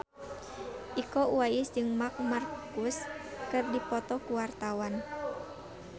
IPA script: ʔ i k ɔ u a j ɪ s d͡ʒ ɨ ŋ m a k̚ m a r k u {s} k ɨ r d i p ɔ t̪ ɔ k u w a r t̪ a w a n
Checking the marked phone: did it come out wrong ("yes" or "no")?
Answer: no